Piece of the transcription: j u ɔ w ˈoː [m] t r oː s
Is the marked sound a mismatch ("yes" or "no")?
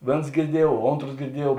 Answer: yes